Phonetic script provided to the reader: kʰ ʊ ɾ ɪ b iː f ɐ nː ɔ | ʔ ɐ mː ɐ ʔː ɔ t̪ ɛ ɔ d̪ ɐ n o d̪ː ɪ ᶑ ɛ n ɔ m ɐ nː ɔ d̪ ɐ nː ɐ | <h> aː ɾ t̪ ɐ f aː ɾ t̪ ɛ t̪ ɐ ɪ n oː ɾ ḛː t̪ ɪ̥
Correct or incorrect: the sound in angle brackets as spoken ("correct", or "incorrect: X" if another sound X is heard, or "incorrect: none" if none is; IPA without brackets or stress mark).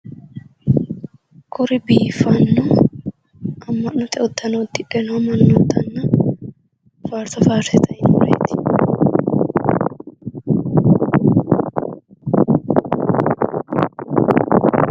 incorrect: f